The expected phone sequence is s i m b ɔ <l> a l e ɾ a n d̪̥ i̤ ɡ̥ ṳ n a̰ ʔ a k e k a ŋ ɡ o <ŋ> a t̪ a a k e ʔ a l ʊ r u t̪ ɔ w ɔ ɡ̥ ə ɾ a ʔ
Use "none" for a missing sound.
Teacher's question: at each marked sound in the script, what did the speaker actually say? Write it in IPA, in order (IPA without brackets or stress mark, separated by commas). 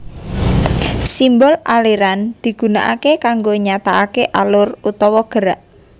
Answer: l, ɲ